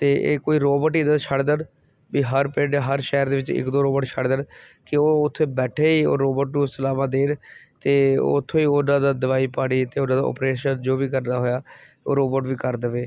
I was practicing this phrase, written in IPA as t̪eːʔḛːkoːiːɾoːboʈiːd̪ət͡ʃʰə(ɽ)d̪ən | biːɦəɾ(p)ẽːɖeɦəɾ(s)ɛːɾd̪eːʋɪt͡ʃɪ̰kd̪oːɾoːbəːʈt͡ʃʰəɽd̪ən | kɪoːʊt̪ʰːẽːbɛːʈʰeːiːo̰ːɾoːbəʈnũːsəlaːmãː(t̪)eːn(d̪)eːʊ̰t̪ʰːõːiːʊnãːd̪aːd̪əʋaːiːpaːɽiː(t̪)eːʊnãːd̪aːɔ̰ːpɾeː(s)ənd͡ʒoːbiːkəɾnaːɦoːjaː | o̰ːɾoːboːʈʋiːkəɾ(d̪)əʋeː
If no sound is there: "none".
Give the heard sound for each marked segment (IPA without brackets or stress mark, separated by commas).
ɽ, p, ʃ, d̪, t̪, t̪, ʃ, d̪